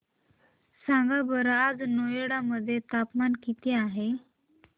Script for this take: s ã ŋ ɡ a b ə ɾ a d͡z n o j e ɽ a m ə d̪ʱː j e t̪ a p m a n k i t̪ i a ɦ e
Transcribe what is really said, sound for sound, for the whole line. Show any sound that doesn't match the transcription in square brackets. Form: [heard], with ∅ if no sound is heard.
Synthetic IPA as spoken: s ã ŋ ɡ a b ə ɾ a d͡z n o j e ɽ a m ə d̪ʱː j e t̪ a p m a n k i t̪ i a ɦ e